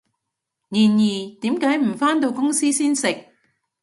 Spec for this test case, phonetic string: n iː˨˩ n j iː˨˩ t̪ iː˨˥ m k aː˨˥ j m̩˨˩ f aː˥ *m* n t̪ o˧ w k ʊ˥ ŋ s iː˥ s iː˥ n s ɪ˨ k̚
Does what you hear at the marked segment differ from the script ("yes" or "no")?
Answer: yes